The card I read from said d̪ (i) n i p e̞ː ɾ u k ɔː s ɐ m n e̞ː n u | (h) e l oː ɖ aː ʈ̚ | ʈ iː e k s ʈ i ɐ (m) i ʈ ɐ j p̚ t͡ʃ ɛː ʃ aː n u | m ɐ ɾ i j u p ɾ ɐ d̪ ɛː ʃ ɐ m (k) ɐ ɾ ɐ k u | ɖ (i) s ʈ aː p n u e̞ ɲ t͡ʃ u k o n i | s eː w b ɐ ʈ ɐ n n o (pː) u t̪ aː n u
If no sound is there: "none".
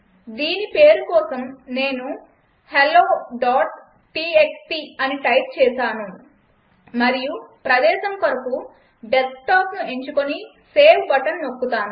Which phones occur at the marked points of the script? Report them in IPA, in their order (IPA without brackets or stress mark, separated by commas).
iː, h, n, k, e, kː